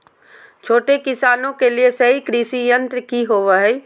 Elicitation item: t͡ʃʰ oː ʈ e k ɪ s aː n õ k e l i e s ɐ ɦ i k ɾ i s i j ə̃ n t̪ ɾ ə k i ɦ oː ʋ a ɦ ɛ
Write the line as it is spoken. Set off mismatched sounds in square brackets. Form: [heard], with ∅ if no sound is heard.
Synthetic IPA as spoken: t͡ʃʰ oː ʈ e k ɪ s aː n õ k e l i e s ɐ ɦ i k ɾ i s i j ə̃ n t̪ ɾ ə k i ɦ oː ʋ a ɦ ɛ